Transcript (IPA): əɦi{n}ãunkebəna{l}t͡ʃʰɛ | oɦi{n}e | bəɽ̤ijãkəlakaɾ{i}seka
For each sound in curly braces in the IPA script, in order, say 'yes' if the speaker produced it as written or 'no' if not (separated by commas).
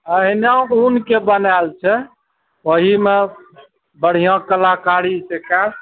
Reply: yes, yes, no, yes